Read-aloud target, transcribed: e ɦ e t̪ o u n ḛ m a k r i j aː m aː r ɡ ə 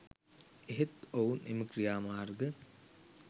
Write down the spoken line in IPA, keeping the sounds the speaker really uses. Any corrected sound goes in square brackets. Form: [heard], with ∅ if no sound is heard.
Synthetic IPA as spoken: e ɦ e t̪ o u n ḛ m [ə] k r i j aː m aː r ɡ ə